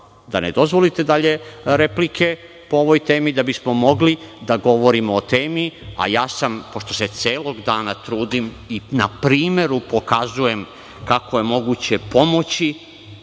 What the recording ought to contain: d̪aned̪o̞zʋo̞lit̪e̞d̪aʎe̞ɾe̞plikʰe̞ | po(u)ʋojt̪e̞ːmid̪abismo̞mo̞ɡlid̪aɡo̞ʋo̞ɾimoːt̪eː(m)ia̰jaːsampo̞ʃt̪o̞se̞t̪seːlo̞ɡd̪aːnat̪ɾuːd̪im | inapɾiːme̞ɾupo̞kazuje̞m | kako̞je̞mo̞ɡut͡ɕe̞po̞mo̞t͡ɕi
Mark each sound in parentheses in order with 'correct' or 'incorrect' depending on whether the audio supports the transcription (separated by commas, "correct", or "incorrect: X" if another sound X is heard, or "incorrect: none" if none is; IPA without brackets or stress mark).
incorrect: o, correct